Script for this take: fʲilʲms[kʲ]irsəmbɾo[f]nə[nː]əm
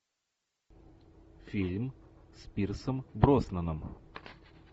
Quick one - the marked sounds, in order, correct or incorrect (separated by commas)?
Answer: incorrect, incorrect, incorrect